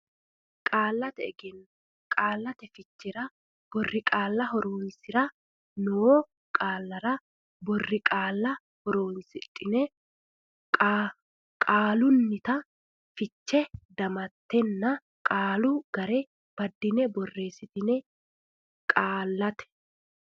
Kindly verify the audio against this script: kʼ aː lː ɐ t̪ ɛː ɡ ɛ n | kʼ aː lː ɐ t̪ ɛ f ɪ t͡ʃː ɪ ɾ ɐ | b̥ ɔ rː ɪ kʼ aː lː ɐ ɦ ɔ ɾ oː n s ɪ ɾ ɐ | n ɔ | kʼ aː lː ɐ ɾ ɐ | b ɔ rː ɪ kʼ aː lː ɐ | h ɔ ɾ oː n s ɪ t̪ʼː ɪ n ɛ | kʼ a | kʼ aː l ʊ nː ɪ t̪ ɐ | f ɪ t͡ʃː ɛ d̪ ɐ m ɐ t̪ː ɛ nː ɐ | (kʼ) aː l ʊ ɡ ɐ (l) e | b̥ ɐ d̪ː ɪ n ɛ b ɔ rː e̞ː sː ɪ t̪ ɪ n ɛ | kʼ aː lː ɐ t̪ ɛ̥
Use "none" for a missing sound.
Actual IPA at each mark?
kʼ, ɾ

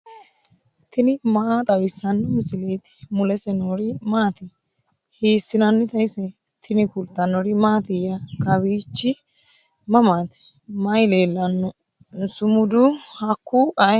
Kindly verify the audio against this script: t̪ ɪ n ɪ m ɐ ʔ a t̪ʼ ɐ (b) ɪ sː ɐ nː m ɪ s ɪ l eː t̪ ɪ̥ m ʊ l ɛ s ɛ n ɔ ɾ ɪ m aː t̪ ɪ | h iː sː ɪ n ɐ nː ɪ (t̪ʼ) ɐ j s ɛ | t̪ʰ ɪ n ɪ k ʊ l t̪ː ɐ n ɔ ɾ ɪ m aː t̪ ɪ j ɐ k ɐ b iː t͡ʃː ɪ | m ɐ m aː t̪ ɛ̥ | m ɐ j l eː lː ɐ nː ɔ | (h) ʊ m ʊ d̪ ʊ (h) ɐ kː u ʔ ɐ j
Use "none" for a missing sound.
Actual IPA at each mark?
w, t̪, s, h

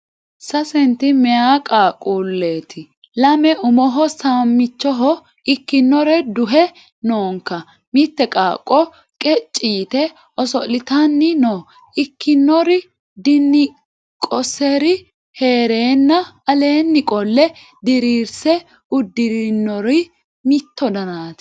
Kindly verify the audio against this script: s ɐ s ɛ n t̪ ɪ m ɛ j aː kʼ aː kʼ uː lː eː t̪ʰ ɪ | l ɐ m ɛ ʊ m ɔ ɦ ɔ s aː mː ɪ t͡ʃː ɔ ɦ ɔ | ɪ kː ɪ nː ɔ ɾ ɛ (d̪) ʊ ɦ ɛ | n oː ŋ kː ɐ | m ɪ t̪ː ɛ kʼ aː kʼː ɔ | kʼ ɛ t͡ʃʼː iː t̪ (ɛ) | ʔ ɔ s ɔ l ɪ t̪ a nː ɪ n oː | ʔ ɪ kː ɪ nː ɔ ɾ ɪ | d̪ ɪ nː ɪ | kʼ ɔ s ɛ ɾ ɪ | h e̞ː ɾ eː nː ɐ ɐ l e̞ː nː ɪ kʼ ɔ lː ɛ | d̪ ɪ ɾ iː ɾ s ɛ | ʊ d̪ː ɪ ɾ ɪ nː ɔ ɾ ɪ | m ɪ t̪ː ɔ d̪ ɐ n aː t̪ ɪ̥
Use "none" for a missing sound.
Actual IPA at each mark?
d̪, ɛ

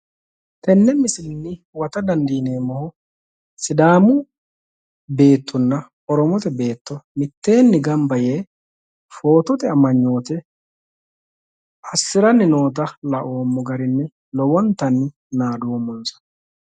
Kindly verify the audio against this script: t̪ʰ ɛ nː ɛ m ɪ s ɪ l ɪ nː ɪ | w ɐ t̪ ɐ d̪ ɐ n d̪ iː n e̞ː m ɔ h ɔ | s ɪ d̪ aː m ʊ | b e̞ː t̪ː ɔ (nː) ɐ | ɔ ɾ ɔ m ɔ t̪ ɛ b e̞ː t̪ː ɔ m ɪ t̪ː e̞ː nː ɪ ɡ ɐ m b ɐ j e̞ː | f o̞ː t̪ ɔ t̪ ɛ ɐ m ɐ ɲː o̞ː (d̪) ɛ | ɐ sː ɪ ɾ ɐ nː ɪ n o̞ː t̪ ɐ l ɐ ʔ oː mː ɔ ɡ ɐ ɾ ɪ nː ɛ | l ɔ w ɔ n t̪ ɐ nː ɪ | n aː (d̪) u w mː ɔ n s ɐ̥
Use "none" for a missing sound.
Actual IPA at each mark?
nː, t̪, d̪

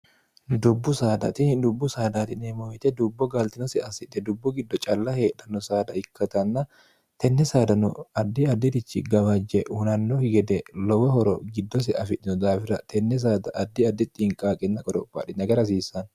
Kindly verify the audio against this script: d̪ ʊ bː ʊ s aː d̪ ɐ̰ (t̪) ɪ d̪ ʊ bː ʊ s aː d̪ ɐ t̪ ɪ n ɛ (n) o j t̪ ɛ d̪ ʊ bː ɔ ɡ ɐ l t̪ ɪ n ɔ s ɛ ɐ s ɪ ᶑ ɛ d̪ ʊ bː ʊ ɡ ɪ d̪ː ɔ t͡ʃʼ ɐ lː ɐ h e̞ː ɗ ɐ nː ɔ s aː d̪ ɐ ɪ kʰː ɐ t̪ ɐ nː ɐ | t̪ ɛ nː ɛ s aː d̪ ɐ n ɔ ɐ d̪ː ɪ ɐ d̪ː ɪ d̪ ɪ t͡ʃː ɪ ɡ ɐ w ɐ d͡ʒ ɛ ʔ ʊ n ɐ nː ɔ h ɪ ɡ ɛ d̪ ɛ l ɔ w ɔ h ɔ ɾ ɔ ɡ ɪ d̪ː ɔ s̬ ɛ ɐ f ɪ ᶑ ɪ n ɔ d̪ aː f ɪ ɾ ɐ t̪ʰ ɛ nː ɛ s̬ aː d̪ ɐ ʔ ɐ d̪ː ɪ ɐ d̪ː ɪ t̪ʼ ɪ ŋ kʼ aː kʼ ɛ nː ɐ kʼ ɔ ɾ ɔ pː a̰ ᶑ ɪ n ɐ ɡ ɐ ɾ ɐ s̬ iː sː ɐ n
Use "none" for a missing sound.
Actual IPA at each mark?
t̪, m

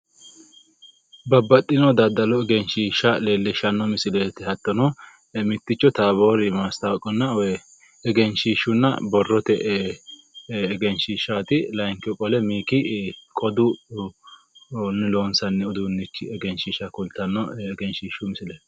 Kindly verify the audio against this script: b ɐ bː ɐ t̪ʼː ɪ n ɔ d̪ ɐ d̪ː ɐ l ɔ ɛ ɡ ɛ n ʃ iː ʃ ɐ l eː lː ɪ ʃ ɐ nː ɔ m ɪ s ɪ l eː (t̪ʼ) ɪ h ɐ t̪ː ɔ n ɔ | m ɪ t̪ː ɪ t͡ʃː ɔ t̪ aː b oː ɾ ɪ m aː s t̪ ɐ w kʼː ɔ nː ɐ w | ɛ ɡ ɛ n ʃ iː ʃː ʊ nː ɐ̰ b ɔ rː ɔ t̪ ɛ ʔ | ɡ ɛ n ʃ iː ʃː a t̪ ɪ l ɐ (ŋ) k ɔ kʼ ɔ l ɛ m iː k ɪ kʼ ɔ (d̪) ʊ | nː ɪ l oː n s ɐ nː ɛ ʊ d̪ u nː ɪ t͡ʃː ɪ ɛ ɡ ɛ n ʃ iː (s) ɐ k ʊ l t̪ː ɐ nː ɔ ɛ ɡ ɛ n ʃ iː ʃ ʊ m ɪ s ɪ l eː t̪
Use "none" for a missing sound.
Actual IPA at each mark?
t̪, ŋ, d̪, ʃ

